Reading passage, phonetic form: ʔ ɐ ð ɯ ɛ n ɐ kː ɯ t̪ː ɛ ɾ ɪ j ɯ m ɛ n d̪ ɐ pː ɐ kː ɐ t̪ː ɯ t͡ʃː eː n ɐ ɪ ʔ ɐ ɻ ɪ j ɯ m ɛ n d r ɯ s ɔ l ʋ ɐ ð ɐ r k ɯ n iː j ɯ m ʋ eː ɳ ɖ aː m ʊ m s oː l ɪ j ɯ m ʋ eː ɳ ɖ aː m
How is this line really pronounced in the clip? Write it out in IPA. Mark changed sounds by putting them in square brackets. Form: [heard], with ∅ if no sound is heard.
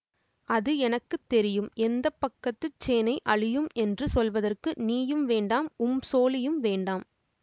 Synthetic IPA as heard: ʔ ɐ ð ɯ ɛ n ɐ kː ɯ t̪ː ɛ ɾ ɪ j ɯ m ɛ n d̪ ɐ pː ɐ kː ɐ t̪ː ɯ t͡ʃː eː n ɐ ɪ ʔ ɐ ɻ ɪ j ɯ m ɛ n d r ɯ s ɔ l ʋ ɐ ð ɐ r k ɯ n iː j ɯ m ʋ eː ɳ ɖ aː m ʊ m s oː l ɪ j ɯ m ʋ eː ɳ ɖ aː m